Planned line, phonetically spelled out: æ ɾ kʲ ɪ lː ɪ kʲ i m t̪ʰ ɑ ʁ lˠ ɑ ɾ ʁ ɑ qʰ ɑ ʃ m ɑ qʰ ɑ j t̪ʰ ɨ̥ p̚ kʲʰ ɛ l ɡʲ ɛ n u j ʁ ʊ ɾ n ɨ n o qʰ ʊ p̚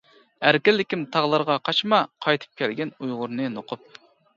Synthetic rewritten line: æ ɾ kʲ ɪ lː ɪ kʲ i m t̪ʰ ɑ ʁ lˠ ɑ ɾ ʁ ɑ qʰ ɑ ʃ m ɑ qʰ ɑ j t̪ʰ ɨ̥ p̚ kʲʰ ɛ l ɡʲ ɛ n u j ʁ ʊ ɾ n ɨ n o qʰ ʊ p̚